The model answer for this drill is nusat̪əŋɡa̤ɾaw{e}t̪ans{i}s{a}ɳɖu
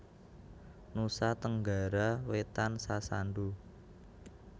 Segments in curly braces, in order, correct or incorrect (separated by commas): correct, incorrect, correct